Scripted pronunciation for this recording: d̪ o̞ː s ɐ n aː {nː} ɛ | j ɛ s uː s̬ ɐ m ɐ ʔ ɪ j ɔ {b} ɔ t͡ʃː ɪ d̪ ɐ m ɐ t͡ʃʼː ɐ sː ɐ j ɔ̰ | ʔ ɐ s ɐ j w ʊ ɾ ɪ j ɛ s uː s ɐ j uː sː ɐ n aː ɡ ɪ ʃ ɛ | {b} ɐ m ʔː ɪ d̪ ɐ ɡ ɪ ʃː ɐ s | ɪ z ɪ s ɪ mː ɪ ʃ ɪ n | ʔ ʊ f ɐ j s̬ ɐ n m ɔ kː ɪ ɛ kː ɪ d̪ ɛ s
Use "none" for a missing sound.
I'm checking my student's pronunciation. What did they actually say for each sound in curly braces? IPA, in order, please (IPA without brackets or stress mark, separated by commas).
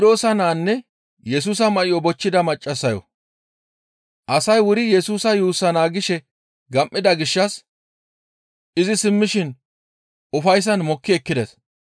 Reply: nː, b, ɡ